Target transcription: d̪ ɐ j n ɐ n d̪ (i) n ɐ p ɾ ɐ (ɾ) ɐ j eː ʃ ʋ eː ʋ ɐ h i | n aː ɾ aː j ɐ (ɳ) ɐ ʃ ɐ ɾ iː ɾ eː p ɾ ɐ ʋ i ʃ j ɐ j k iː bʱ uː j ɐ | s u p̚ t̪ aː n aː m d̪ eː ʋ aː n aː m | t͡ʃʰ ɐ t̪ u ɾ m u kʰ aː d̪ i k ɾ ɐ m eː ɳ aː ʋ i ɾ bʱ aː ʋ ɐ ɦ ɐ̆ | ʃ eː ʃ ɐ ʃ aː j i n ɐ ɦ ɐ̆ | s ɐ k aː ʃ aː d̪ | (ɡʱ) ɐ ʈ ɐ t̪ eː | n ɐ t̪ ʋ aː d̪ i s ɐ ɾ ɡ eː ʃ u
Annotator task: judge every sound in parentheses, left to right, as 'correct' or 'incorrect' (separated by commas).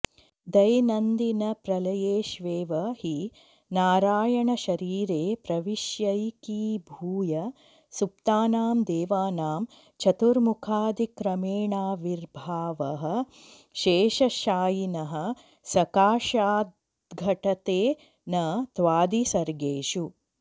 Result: correct, incorrect, correct, correct